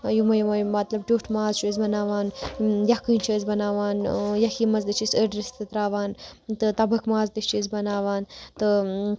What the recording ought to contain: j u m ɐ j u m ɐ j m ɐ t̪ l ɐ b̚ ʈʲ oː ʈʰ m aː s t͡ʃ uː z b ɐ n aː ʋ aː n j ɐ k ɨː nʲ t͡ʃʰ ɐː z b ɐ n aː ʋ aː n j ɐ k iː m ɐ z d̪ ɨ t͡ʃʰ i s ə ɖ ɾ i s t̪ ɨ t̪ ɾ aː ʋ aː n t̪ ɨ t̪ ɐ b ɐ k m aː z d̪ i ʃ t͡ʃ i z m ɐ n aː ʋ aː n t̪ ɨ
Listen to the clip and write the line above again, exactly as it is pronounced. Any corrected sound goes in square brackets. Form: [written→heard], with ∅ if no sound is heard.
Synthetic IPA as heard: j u m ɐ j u m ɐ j m ɐ t̪ l ɐ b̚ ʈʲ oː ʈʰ m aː [s→z] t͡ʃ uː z b ɐ n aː ʋ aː n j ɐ k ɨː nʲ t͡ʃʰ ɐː z b ɐ n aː ʋ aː n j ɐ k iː m ɐ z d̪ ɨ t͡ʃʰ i s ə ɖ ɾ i s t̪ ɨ t̪ ɾ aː ʋ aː n t̪ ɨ t̪ ɐ b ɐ k m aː z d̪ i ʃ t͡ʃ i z [m→b] ɐ n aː ʋ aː n t̪ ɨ